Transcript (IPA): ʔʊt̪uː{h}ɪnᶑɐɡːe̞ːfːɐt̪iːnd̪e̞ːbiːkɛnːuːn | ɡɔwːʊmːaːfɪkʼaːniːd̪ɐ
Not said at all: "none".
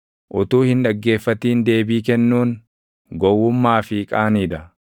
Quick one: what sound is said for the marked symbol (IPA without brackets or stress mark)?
h